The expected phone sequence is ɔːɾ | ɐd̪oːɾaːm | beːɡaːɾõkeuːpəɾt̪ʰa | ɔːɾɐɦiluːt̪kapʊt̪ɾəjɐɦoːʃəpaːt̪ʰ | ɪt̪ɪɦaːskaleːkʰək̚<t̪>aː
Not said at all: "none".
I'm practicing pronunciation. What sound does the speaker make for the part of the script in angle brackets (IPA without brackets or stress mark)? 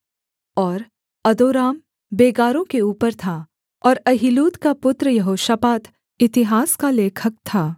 t̪ʰ